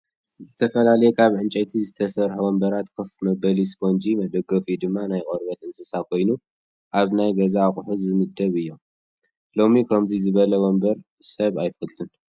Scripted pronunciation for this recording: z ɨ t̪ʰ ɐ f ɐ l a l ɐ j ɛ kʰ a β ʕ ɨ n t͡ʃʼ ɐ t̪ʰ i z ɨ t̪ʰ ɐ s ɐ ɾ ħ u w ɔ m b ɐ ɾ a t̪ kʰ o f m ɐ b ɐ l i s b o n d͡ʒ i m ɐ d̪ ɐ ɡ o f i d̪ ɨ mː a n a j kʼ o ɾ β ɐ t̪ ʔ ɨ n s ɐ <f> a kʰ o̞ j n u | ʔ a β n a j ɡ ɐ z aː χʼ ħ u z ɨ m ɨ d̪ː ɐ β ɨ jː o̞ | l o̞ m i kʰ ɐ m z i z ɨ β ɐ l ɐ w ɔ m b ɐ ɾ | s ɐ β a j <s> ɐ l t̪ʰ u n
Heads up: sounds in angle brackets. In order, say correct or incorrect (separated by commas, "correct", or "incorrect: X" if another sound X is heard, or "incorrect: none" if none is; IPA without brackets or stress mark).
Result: incorrect: s, incorrect: f